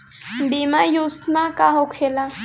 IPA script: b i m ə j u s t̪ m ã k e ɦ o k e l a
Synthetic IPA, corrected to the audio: b i m a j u s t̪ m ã k a ɦ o kʰ e l a